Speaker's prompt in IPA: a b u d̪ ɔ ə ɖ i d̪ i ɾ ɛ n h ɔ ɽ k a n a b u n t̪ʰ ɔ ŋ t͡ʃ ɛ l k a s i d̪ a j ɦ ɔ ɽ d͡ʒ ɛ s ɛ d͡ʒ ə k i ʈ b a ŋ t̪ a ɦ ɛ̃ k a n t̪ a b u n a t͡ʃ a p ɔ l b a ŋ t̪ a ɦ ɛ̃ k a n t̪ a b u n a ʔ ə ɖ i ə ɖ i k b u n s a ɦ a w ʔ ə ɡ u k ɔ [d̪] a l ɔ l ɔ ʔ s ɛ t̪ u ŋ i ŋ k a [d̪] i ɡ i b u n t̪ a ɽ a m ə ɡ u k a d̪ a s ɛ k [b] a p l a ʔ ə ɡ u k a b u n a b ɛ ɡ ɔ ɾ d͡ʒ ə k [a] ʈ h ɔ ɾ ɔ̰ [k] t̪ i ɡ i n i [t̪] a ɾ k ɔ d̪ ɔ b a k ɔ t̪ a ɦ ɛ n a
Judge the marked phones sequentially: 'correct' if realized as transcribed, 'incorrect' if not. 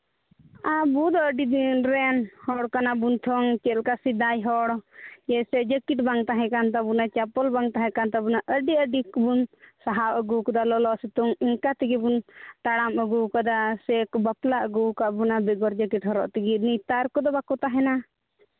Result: correct, incorrect, correct, incorrect, incorrect, correct

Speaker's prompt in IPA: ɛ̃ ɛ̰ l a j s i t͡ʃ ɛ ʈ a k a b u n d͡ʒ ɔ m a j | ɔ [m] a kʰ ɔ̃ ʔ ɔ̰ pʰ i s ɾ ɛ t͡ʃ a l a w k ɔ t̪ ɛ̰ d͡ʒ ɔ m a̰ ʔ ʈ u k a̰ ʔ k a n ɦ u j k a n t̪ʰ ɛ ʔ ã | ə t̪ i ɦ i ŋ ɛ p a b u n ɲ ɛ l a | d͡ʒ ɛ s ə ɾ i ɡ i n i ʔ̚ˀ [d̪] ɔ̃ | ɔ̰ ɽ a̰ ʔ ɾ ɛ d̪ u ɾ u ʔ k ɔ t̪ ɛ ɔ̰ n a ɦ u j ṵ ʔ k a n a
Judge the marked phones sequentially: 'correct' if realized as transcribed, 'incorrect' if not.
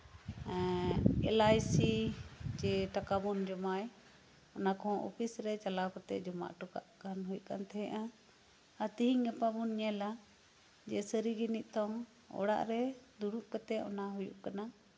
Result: incorrect, incorrect

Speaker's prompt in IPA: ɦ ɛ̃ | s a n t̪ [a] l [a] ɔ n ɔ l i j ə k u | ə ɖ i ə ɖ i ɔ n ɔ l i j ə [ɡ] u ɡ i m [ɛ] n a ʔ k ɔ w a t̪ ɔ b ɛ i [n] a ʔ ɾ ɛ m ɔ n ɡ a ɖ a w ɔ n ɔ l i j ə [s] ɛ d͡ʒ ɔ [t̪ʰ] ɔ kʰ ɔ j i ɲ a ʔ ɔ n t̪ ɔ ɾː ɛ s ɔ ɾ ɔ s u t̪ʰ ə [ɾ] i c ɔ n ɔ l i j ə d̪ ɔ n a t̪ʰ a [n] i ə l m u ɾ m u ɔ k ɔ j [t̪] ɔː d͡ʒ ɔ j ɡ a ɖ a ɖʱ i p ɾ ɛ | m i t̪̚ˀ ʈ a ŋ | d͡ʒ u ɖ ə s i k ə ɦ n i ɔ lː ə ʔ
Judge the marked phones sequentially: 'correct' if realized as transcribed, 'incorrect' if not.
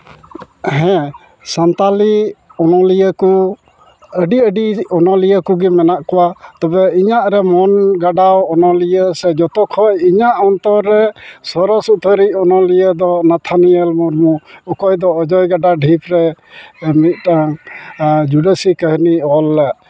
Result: correct, incorrect, incorrect, correct, incorrect, correct, incorrect, correct, correct, incorrect

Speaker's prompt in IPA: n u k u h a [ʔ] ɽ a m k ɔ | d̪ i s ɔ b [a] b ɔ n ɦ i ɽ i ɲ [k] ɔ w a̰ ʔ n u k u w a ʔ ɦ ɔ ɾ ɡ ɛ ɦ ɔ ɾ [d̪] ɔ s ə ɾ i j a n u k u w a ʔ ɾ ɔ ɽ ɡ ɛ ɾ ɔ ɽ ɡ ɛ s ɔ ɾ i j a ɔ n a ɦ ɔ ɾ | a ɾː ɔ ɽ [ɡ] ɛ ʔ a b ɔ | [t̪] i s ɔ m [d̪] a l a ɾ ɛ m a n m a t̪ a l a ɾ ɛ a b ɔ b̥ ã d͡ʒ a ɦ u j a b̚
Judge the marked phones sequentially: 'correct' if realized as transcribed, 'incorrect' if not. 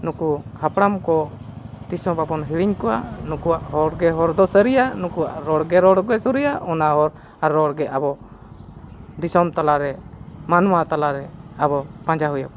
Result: incorrect, correct, correct, correct, correct, incorrect, incorrect

